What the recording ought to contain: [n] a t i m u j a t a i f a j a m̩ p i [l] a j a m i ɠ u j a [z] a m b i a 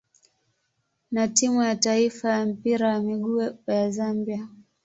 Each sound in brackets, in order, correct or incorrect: correct, incorrect, correct

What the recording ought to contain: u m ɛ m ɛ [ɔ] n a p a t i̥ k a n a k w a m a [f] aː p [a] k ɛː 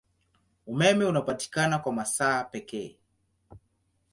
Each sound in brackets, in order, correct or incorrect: incorrect, incorrect, incorrect

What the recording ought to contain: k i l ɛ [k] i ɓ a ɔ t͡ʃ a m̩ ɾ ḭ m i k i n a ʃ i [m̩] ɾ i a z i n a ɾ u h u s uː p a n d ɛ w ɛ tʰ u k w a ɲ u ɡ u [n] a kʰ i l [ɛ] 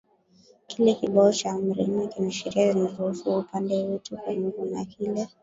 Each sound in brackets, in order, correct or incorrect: correct, incorrect, correct, correct

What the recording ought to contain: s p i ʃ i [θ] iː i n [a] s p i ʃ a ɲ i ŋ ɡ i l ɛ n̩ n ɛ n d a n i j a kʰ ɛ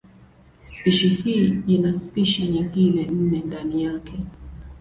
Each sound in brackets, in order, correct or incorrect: incorrect, correct

